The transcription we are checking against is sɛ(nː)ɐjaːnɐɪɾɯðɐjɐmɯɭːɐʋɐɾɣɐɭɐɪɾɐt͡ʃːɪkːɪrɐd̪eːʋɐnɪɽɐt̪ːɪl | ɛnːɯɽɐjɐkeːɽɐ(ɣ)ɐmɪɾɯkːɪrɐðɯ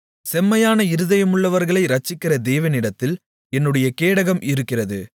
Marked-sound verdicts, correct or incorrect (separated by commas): incorrect, correct